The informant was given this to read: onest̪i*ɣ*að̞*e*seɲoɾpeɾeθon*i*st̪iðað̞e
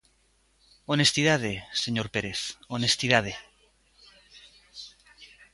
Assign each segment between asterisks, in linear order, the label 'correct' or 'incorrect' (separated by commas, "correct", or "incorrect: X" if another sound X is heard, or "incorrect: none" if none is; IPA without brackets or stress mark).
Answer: incorrect: ð, correct, incorrect: e